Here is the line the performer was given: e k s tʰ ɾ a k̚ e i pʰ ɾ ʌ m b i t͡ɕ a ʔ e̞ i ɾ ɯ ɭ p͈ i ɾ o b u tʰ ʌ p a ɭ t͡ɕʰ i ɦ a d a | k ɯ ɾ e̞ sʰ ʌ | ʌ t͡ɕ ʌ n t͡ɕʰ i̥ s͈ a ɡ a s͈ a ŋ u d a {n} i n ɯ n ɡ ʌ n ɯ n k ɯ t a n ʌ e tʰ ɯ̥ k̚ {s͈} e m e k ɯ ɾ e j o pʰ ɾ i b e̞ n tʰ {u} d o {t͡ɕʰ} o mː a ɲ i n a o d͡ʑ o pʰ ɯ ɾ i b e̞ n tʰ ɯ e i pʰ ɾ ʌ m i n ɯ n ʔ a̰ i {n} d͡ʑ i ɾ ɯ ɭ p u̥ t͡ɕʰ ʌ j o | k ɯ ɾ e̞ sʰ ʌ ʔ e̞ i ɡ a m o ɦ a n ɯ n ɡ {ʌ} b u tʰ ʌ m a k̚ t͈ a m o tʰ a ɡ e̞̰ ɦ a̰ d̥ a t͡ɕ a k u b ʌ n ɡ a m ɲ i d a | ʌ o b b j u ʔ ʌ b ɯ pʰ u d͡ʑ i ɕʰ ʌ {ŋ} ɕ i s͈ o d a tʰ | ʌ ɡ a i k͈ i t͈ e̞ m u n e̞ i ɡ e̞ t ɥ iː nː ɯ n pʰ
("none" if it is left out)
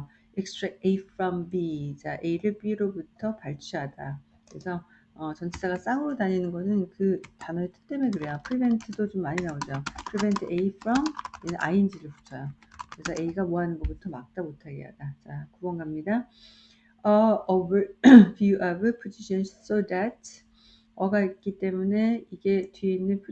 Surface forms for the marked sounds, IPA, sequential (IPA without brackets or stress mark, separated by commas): ɲ, t͈, ɯ, t͡ɕ, n, ʌ, n